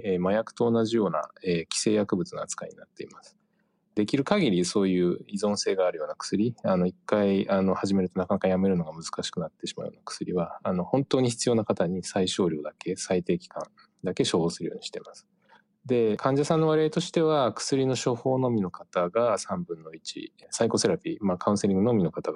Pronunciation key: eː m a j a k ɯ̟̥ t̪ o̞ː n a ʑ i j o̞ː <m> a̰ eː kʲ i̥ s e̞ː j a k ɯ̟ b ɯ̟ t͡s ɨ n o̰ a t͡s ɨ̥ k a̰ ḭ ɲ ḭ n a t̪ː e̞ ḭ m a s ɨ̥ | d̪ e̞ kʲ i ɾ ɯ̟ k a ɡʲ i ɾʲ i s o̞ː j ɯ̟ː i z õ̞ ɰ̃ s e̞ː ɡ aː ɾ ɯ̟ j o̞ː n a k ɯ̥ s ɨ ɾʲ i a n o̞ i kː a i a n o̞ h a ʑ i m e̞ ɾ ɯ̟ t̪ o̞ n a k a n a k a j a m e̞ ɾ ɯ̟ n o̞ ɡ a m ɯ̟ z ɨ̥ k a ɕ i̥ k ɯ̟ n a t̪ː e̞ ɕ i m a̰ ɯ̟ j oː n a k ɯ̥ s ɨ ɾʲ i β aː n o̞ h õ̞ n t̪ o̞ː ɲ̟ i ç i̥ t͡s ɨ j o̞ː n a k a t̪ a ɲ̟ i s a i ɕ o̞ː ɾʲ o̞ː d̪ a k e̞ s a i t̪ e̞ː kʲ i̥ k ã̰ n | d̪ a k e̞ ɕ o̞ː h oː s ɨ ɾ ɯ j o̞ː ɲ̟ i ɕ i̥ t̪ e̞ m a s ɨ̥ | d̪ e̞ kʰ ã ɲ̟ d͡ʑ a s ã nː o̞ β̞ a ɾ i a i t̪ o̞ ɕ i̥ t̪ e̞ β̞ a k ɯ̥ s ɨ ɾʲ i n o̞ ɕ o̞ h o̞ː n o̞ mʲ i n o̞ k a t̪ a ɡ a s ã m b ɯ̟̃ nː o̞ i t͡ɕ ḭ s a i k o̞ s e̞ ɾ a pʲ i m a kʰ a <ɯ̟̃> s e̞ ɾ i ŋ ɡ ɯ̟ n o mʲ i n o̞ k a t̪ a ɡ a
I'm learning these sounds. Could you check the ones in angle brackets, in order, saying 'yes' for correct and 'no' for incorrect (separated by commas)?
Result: no, yes